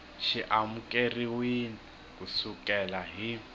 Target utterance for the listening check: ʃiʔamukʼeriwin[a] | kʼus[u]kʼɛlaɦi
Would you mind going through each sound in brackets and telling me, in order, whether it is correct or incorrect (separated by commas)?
incorrect, correct